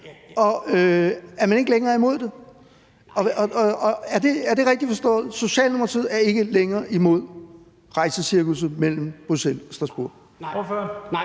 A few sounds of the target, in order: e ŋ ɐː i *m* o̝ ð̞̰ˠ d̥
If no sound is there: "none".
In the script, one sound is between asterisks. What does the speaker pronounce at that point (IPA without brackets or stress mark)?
m